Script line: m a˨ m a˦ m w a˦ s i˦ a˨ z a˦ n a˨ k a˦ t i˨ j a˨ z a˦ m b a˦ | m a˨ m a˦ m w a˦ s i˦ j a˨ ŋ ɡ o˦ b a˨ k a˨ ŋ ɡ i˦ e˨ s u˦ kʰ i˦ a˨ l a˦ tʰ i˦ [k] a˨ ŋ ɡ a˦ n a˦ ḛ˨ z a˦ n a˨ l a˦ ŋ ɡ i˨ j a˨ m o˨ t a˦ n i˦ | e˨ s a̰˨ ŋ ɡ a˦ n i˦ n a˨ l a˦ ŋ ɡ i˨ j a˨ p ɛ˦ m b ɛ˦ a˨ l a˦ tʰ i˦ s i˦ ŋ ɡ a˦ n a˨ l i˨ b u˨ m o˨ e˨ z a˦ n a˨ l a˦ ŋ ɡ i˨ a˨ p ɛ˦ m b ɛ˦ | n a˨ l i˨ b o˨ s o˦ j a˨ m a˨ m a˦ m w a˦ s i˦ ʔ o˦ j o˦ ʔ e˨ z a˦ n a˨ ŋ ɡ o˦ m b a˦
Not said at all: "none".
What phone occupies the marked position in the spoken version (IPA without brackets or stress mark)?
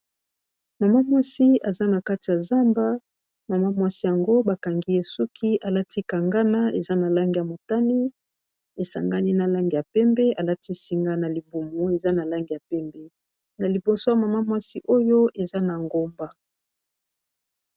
k